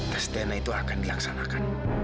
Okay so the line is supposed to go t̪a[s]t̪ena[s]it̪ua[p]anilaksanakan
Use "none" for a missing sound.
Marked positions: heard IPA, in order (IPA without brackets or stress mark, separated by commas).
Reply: s, none, k